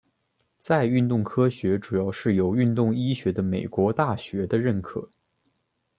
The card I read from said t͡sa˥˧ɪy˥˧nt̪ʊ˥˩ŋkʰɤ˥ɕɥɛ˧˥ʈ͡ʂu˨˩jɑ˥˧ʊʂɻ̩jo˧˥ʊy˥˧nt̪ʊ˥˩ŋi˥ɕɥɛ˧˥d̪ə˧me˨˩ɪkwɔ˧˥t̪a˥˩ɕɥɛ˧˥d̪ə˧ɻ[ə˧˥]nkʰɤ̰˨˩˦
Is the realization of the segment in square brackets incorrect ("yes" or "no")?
yes